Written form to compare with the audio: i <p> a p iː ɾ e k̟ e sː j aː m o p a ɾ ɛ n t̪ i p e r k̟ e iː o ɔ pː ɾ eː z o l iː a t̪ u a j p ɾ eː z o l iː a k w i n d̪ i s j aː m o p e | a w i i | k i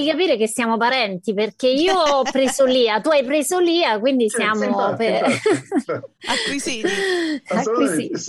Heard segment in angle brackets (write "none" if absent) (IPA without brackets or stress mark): k